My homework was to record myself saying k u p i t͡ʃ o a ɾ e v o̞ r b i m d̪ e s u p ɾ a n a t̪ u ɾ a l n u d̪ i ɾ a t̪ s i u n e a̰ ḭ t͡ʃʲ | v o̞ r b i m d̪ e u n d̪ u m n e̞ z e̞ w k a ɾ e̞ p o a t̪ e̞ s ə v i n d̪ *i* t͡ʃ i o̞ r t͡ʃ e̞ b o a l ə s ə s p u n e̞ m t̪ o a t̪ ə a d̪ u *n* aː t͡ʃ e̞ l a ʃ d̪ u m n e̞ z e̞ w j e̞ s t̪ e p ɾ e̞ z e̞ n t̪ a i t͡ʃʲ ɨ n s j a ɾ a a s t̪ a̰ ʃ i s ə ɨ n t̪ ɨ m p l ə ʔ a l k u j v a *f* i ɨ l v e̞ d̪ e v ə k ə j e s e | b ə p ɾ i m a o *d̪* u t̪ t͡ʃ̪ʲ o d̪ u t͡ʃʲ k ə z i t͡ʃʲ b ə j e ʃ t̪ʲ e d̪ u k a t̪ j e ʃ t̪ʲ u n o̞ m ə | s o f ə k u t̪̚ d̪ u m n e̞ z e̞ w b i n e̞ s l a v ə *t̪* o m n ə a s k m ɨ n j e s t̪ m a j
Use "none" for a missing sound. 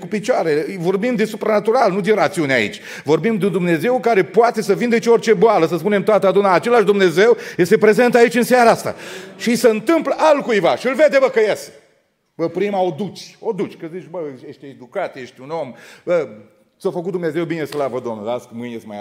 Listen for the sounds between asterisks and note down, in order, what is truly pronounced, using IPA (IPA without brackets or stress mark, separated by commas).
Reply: e, n, ʃ, d̪, d̪